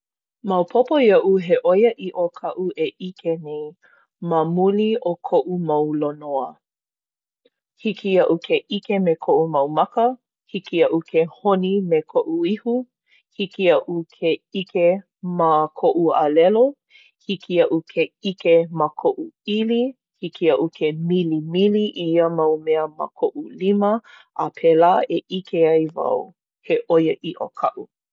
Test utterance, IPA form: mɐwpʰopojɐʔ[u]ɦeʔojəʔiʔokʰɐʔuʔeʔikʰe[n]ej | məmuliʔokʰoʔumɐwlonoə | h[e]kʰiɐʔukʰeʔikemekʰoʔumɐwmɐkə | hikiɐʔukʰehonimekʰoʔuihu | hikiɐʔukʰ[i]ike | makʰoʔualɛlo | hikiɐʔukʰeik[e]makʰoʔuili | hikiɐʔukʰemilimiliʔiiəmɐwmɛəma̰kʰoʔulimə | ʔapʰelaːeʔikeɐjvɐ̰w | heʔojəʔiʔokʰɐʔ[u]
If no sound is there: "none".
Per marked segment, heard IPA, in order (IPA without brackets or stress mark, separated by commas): u, n, i, e, e, u